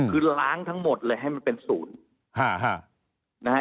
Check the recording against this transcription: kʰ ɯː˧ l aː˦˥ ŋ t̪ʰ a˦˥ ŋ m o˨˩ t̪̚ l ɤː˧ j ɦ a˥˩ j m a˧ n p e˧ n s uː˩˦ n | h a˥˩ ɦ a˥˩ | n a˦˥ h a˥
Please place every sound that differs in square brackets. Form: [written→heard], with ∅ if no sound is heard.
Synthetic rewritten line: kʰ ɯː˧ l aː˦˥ ŋ t̪ʰ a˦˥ ŋ m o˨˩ t̪̚ l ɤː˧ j ɦ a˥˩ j m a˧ n p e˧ n s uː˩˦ n | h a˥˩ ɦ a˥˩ | n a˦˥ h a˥